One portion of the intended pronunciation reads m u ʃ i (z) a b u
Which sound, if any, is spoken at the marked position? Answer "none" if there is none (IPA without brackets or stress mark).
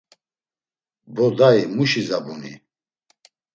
z